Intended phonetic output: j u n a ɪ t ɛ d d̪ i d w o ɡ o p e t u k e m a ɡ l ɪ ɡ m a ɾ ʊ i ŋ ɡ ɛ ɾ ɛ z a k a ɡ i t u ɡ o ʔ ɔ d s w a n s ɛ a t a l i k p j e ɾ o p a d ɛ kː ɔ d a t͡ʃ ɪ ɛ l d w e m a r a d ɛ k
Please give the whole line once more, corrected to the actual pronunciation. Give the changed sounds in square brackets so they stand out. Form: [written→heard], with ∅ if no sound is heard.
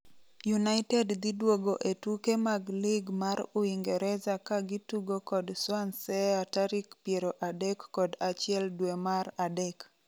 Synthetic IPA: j u n a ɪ t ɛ d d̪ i d w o ɡ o [p→ʔ] e t u k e m a ɡ l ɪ ɡ m a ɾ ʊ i ŋ ɡ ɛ ɾ ɛ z a k a ɡ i t u ɡ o [ʔ→k] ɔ d s w a n s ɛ a t a [l→ɾ] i k p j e ɾ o [p→ʔ] a d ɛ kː ɔ d a t͡ʃ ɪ ɛ l d w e m a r a d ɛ k